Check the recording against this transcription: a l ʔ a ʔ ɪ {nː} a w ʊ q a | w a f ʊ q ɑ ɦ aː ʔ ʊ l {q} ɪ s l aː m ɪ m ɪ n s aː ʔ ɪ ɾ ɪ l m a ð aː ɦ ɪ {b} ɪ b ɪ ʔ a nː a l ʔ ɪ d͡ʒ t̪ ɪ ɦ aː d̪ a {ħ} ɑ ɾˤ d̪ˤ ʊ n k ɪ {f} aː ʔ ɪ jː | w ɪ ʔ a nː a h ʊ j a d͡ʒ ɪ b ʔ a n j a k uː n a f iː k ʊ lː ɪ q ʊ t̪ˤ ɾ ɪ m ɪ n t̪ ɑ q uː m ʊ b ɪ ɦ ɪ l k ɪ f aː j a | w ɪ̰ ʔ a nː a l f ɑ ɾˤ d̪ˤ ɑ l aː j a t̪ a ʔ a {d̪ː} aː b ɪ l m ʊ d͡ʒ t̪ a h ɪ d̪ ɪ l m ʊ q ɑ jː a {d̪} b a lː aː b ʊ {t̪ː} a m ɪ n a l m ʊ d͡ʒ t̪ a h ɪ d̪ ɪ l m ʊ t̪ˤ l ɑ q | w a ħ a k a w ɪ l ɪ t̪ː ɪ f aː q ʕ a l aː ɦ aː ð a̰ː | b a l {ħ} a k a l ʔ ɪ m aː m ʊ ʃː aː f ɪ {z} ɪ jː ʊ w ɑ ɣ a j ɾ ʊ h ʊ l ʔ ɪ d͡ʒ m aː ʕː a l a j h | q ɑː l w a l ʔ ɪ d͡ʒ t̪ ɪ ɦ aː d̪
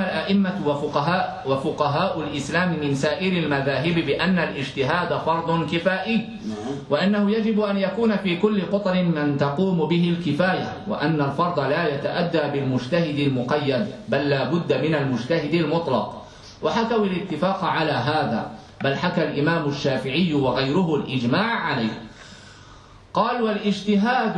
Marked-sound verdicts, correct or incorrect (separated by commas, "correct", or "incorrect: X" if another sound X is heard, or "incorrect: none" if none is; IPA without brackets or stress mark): incorrect: mː, incorrect: ʔ, correct, incorrect: f, correct, correct, correct, incorrect: d̪ː, correct, incorrect: ʕ